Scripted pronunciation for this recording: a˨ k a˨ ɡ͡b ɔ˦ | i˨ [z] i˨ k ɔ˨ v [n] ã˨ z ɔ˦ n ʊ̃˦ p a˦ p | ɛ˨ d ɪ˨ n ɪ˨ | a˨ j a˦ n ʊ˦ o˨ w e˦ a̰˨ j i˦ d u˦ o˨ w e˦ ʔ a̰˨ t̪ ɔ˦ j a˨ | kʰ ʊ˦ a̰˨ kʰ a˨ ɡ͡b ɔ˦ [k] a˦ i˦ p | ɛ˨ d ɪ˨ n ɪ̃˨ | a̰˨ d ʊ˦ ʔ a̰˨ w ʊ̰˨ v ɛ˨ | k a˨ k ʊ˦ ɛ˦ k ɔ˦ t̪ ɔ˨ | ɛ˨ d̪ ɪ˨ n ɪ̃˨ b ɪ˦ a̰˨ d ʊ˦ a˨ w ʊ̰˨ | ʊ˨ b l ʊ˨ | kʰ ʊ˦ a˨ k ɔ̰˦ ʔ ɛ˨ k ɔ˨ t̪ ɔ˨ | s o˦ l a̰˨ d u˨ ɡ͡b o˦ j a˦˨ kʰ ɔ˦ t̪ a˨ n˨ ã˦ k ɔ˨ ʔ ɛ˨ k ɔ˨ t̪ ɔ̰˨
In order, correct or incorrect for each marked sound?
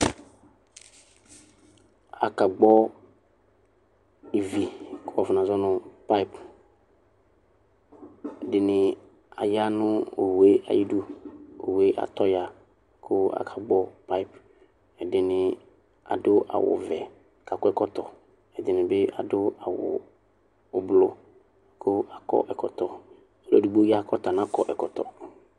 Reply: incorrect: v, correct, incorrect: p

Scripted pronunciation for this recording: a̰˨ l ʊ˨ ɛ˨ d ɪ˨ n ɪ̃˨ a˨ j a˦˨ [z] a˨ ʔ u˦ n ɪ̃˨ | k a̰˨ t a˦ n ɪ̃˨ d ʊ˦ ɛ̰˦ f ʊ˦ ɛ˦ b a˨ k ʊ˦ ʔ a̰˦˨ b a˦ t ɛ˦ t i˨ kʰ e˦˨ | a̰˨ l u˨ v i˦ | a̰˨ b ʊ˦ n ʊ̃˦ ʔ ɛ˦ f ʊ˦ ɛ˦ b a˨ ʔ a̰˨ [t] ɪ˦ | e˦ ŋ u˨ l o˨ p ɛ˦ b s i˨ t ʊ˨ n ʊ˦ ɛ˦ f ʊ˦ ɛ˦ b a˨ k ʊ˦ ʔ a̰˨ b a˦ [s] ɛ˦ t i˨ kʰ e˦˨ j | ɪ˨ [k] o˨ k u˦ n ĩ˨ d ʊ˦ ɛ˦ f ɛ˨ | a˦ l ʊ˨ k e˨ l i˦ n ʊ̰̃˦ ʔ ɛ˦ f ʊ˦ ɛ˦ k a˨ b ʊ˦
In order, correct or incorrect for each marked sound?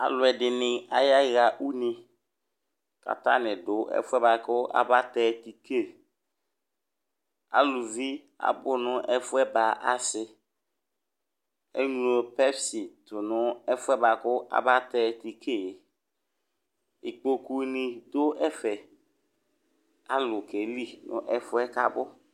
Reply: incorrect: ɣ, incorrect: s, incorrect: t, incorrect: k͡p

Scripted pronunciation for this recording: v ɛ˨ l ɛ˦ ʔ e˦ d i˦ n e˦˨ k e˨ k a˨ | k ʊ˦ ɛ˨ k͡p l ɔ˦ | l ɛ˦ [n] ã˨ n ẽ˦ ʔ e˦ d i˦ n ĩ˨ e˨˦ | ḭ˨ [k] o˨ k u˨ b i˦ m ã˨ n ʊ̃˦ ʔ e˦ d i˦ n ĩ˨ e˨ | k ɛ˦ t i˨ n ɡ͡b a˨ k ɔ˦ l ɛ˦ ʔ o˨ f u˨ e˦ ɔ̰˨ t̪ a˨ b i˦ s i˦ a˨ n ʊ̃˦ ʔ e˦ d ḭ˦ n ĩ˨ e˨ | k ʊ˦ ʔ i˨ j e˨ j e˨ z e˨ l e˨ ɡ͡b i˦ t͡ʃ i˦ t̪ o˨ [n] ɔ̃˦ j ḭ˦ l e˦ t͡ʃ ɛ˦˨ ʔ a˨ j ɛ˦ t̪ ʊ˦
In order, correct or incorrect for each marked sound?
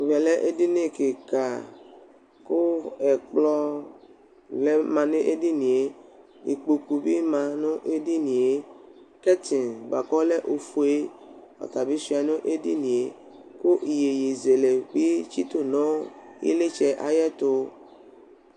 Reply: incorrect: m, incorrect: k͡p, correct

